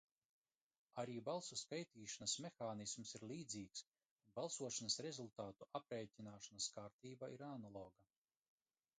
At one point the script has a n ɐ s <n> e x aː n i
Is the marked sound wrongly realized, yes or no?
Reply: yes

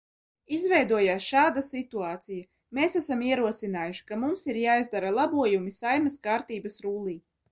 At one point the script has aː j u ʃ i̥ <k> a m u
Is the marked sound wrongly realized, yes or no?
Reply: no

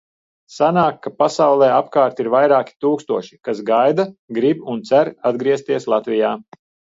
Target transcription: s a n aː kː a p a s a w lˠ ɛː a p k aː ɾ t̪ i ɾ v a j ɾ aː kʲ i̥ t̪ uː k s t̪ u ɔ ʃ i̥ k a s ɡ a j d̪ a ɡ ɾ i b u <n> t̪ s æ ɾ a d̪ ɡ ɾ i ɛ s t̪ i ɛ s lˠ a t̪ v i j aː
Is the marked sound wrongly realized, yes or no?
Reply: no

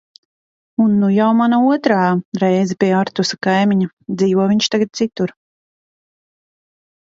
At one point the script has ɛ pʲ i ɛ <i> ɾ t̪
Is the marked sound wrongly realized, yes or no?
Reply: yes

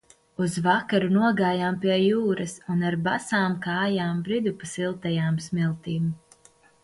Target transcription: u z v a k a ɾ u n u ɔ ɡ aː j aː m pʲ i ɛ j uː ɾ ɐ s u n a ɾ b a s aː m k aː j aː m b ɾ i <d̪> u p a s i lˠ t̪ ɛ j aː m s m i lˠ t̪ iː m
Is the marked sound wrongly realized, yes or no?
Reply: no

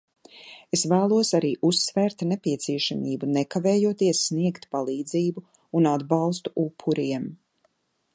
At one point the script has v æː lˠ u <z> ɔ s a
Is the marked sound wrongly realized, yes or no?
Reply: yes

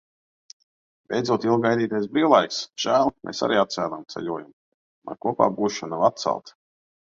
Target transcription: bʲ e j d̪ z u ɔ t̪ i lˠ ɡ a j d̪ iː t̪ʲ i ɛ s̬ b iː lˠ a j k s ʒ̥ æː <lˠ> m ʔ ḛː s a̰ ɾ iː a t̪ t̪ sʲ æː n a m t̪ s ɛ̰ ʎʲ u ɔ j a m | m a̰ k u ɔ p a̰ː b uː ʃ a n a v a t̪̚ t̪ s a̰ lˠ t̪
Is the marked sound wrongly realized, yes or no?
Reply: no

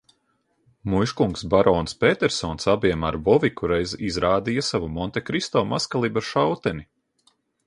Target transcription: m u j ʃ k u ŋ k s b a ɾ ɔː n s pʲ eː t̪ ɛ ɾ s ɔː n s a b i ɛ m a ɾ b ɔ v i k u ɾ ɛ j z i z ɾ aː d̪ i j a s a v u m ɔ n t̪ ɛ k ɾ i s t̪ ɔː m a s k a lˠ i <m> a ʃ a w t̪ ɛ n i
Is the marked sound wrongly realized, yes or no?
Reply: yes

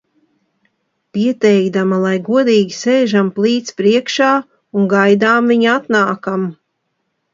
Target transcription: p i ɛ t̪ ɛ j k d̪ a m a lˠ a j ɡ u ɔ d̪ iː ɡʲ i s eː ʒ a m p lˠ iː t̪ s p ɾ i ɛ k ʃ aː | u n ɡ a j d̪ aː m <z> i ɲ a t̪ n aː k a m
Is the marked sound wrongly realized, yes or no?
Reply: yes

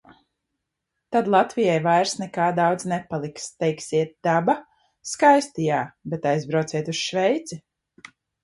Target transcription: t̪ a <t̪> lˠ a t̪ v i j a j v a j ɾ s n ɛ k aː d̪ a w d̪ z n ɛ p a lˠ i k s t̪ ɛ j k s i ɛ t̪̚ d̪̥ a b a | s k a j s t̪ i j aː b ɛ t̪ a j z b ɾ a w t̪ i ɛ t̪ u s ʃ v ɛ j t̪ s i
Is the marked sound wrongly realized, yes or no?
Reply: yes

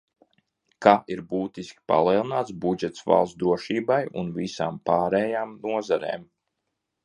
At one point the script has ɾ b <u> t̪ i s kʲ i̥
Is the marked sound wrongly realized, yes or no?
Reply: yes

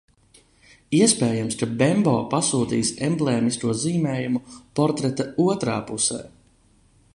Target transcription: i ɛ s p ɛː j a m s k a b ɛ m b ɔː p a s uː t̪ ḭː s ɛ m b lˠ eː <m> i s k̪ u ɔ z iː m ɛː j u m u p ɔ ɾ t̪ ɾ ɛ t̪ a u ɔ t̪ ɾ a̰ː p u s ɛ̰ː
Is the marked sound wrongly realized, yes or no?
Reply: no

